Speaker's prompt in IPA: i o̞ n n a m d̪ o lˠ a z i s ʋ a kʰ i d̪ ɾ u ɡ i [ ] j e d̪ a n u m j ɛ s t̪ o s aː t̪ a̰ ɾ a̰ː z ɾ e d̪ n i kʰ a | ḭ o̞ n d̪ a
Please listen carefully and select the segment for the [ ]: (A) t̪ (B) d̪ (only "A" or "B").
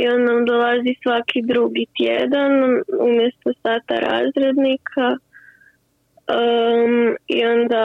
A